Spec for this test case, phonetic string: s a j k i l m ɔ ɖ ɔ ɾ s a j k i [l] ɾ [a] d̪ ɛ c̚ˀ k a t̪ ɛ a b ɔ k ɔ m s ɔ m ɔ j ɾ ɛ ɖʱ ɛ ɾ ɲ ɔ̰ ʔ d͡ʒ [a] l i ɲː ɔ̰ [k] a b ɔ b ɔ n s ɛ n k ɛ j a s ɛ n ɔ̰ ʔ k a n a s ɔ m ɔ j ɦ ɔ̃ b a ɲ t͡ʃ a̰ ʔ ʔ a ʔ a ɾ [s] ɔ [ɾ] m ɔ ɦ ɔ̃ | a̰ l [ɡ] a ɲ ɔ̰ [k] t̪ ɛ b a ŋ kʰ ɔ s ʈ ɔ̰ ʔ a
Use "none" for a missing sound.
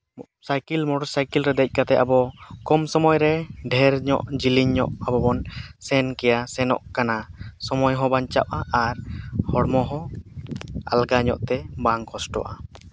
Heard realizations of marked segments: l, ɛ, i, ʔ, h, ɽ, ɡ, ʔ

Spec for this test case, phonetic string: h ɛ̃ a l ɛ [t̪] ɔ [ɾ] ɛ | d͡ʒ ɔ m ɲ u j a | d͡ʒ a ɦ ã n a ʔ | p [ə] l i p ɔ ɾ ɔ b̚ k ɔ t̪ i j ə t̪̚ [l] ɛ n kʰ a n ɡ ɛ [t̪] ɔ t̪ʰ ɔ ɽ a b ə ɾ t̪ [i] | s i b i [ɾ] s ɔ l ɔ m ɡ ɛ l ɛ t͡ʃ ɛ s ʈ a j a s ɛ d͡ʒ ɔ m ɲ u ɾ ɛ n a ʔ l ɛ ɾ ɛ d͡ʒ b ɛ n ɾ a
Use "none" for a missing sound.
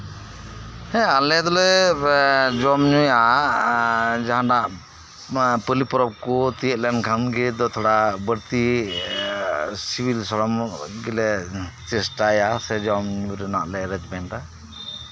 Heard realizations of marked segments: d̪, l, ə, l, d̪, i, l

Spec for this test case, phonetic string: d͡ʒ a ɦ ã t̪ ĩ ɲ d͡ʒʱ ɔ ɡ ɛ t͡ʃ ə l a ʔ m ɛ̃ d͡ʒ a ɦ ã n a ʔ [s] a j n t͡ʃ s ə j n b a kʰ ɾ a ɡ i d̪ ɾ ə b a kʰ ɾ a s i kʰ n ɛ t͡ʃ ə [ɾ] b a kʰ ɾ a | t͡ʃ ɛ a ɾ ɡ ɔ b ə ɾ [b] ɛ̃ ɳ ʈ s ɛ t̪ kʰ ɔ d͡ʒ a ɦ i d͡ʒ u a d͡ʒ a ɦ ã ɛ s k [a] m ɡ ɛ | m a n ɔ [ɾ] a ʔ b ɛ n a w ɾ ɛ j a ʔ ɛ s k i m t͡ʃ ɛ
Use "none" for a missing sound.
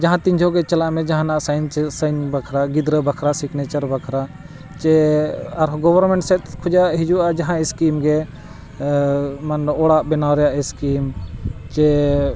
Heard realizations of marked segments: s, ɾ, m, i, ɽ

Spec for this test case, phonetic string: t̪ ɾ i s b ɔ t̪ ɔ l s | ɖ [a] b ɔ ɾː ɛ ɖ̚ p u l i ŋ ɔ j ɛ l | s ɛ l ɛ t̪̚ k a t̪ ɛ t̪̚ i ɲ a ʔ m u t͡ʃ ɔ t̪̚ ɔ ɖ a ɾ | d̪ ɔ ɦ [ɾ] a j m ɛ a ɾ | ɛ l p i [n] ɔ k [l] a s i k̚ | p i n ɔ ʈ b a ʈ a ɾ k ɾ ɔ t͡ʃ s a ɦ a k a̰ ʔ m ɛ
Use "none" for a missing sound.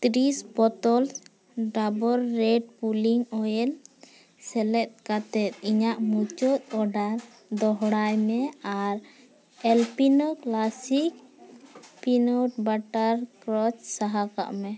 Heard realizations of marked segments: a, ɽ, n, l

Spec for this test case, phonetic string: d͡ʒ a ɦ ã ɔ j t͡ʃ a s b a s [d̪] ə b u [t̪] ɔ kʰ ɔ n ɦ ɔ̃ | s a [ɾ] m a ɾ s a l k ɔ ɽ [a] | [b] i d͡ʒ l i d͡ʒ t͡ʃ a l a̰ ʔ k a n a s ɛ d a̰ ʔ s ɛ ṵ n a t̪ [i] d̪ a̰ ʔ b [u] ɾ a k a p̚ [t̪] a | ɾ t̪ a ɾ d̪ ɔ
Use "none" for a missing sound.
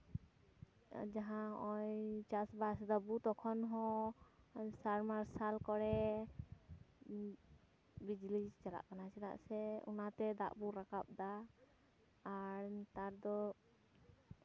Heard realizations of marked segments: d̪, t̪, ɾ, ɛ, b, ɛ, u, d̪

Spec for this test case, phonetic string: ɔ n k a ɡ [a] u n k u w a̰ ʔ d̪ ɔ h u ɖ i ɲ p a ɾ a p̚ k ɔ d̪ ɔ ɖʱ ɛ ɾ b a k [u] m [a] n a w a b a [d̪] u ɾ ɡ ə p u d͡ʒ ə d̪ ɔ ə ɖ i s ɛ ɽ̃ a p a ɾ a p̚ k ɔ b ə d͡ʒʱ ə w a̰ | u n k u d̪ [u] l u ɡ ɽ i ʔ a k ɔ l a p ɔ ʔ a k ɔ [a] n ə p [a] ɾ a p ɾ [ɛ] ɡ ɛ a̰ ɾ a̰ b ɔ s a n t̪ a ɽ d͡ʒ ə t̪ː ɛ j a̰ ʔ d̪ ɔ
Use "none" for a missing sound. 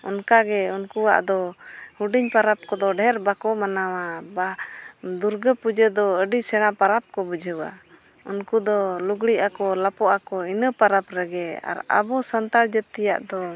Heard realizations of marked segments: ɛ, ɔ, a, d̪, ɔ, i, a, ɛ

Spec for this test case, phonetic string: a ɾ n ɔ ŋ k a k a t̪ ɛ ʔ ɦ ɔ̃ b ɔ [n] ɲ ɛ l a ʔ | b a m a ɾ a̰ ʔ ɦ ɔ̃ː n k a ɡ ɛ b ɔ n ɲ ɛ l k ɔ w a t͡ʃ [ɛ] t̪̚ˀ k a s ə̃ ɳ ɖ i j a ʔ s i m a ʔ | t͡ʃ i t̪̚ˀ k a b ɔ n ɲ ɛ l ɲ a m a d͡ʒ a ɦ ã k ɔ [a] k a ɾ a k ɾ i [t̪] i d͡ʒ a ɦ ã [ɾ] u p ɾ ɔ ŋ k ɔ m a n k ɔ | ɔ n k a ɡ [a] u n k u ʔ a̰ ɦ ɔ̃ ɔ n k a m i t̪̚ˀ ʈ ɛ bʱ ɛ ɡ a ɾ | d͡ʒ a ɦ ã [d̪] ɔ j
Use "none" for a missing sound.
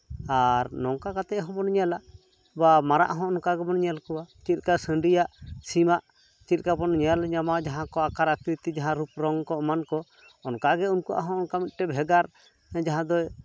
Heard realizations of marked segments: n, i, a, t̪, ɾ, ɛ, d̪

